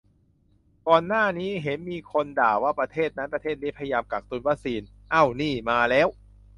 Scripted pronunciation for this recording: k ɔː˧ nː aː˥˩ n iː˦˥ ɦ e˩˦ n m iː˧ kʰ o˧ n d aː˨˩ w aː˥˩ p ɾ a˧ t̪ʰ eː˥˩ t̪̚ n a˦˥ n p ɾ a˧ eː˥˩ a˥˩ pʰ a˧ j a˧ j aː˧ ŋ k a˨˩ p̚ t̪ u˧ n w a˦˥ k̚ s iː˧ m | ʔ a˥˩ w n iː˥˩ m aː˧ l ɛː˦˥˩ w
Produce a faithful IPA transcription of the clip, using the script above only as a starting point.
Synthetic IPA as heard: k ɔː˧ nː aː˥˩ n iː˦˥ ɦ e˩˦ n m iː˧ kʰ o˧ n d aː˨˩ w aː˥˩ p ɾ a˧ t̪ʰ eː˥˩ t̪̚ n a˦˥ n p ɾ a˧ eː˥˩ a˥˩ pʰ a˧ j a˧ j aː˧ m k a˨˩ k̚ t̪ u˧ n w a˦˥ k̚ s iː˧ n | ʔ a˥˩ w n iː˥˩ m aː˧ l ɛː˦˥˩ w